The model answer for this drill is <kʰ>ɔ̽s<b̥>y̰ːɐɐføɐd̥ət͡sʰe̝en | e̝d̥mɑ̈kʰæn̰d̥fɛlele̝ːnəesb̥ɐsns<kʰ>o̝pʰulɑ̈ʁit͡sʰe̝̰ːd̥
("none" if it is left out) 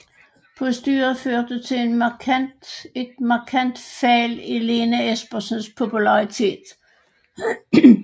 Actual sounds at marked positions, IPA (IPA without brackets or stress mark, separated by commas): pʰ, d̥, pʰ